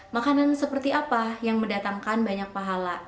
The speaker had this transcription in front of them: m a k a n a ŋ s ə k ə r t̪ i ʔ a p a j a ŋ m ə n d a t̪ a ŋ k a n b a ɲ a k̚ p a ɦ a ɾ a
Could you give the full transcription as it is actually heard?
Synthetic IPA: m a k a n a n s ə p ə r t̪ i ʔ a p a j a ŋ m ə n d a t̪ a ŋ k a n b a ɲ a k̚ p a ɦ a l a